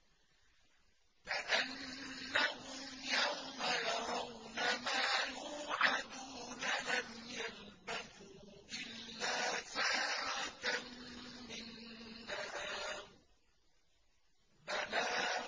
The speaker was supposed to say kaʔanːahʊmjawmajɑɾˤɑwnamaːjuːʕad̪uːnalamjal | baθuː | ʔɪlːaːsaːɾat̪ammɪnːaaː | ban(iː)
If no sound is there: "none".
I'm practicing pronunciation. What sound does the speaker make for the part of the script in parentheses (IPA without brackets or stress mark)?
aː